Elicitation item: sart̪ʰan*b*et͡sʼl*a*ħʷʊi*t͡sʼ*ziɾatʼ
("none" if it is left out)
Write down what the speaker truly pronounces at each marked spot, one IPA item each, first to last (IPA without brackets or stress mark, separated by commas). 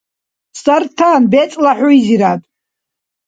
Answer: b, a, none